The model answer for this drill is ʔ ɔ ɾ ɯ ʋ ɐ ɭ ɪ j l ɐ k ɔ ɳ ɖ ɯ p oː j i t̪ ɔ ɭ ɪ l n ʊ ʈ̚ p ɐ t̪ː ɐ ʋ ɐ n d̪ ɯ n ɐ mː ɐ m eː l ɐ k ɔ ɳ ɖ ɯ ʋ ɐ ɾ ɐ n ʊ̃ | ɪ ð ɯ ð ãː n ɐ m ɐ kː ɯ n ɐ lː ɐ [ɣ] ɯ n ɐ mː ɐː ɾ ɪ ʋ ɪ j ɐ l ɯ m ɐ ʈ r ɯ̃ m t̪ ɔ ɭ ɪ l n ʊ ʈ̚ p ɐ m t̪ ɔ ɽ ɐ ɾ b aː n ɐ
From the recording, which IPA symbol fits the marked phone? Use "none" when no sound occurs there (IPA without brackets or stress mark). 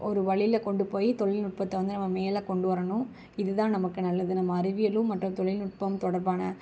ð